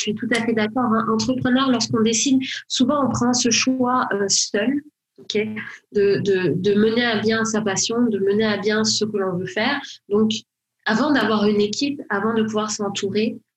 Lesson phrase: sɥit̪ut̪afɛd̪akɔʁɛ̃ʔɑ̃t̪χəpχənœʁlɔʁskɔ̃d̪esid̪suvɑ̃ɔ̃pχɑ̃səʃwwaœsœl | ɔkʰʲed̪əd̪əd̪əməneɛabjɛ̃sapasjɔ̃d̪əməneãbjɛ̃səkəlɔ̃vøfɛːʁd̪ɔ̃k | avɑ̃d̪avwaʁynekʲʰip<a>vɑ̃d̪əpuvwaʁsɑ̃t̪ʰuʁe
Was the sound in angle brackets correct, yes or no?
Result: yes